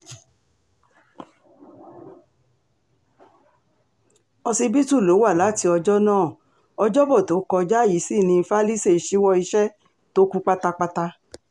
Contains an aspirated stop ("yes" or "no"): no